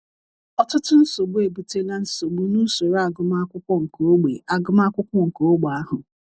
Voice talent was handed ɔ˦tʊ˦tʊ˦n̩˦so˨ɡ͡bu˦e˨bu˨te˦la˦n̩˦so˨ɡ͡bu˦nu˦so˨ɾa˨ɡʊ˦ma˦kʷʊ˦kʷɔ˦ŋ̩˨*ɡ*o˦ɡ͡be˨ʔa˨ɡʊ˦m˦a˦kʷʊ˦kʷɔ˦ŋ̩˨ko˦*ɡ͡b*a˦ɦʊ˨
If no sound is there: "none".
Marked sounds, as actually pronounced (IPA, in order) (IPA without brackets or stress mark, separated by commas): k, ɡ͡b